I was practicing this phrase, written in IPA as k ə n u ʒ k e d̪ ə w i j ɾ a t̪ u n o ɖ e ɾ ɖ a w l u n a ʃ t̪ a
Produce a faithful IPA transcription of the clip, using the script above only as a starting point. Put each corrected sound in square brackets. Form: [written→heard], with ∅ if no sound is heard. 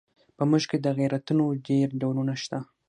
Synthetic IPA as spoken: [k→p] ə [n→m] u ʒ k e d̪ ə [w→ɣ] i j ɾ a t̪ u n o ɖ e ɾ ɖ a w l u n a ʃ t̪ a